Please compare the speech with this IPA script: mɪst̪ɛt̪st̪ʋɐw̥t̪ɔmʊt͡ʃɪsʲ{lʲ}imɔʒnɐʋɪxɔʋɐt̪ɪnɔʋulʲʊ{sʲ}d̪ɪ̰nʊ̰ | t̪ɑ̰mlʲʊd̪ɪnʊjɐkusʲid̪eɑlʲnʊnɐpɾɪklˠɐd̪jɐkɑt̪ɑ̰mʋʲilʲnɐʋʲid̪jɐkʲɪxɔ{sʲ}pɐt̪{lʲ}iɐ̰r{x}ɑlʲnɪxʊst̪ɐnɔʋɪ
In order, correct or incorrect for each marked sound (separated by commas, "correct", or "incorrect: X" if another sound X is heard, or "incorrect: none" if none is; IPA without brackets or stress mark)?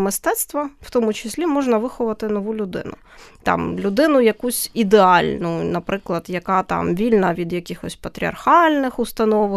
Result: correct, incorrect: none, correct, incorrect: ɾʲ, correct